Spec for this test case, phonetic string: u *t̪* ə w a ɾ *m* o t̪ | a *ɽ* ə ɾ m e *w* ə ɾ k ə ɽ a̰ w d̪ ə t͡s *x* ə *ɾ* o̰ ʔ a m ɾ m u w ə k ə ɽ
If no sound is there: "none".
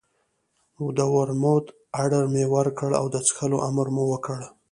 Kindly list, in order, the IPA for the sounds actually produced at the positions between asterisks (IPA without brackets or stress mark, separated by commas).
d̪, m, ɽ, w, x, l